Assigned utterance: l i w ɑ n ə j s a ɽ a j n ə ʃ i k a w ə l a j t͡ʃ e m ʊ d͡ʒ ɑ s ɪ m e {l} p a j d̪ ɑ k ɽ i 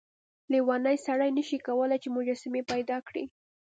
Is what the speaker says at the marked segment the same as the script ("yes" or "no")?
no